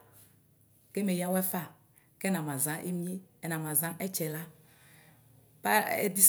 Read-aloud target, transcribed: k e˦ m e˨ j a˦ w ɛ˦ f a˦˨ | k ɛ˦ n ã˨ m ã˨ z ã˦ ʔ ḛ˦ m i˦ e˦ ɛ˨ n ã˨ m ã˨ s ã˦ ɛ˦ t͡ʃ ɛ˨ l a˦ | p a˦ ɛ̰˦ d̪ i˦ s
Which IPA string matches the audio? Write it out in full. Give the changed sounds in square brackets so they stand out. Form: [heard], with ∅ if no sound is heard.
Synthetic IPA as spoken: k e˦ m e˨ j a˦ w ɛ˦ f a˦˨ | k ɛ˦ n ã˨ m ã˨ z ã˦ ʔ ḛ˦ m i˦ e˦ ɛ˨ n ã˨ m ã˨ [z] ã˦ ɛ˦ t͡ʃ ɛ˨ l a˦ | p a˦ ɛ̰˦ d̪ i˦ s